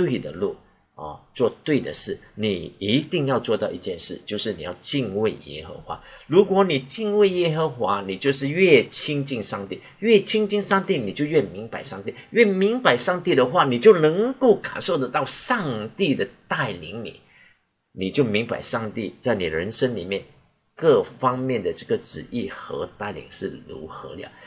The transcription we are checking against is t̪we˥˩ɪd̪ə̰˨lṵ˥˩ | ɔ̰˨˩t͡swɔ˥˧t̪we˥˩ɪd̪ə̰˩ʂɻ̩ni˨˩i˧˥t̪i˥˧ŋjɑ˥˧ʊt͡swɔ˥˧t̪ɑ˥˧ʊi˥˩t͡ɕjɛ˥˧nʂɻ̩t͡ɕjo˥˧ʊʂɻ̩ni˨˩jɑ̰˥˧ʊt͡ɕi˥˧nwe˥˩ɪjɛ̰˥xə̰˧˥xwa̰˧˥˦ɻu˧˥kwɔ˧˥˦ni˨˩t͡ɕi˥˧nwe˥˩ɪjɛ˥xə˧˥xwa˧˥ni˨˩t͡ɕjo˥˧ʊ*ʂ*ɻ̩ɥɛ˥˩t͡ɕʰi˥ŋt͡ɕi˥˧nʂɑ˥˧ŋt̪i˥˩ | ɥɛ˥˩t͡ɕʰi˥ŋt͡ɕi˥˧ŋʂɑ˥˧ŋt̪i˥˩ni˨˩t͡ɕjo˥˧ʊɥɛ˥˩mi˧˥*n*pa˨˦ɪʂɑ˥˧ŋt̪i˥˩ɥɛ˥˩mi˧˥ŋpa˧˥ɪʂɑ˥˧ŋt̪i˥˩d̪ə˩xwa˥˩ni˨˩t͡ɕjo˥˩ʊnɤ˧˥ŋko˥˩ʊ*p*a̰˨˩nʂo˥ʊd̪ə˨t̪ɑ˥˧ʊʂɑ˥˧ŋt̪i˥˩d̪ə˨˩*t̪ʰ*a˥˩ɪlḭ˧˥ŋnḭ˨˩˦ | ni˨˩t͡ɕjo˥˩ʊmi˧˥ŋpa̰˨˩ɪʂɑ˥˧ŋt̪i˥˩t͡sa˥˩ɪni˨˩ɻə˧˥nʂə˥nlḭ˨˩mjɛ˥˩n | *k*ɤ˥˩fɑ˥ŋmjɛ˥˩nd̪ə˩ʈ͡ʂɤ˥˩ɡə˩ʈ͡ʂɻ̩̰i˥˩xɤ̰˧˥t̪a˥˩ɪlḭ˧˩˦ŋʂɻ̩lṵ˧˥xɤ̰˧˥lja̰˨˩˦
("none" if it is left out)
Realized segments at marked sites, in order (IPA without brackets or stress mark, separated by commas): ʂ, ŋ, k, t̪, k